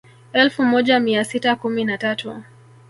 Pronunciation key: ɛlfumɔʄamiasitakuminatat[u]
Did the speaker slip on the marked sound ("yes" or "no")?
no